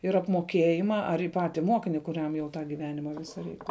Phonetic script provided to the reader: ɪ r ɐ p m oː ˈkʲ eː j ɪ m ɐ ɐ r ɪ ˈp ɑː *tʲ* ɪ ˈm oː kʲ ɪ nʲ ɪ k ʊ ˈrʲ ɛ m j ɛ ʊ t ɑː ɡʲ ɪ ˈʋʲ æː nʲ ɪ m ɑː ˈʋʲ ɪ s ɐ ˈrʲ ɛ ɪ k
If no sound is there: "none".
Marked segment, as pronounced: tʲ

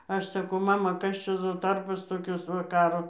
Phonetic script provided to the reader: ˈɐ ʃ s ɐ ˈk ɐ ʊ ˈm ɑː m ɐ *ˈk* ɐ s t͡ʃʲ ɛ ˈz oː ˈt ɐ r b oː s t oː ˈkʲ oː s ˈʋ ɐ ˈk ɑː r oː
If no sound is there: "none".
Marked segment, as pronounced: k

